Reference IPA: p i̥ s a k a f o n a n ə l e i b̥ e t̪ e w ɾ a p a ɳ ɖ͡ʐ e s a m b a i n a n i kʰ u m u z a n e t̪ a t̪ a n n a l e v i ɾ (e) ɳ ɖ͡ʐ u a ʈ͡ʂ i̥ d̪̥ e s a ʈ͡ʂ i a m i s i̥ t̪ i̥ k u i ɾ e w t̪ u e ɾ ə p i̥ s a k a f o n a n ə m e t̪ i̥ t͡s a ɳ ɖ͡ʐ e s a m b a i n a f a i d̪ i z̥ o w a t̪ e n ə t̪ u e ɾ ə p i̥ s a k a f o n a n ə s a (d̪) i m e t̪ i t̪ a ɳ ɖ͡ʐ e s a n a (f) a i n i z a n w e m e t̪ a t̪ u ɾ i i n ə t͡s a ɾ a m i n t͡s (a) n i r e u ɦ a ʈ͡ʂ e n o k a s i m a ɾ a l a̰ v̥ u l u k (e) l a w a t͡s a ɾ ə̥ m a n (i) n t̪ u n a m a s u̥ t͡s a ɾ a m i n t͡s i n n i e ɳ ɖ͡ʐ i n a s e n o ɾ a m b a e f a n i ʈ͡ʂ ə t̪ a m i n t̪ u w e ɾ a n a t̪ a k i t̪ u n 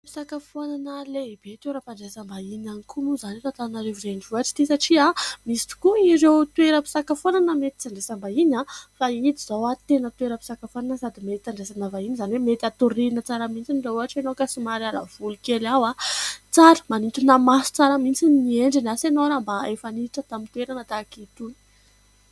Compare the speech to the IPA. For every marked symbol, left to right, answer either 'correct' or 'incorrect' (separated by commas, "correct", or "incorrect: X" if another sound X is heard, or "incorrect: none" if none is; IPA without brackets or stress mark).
correct, correct, incorrect: v, incorrect: i, correct, correct